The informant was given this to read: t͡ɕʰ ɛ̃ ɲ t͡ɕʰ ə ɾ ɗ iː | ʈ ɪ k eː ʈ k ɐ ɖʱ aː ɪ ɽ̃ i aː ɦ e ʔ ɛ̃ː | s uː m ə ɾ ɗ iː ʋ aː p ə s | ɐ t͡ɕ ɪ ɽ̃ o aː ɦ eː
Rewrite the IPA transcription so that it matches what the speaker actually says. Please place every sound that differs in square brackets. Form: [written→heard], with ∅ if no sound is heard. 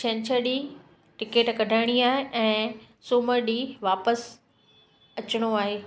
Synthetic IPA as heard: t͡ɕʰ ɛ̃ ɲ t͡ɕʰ ə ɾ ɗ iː | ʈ ɪ k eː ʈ k ɐ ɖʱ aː ɪ ɽ̃ i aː ɦ e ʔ ɛ̃ː | s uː m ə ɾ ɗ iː ʋ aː p ə s | ɐ t͡ɕ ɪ ɽ̃ o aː ɦ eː